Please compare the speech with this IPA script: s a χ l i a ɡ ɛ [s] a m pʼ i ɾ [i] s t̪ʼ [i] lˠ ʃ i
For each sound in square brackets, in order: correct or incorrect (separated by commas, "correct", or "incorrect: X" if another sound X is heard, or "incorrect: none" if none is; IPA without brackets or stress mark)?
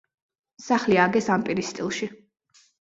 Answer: correct, correct, correct